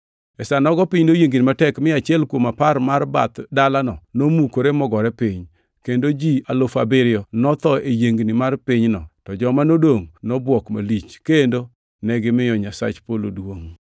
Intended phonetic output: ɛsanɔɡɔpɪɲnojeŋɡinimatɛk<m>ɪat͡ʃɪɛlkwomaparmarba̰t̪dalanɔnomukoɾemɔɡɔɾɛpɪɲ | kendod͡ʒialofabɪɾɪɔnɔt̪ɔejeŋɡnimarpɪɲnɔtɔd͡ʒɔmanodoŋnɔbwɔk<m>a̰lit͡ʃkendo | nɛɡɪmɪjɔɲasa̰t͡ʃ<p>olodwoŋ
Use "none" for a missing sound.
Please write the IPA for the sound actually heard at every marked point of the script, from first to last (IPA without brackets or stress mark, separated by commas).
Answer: m, m, p